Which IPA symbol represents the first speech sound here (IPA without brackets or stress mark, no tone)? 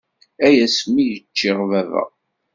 æ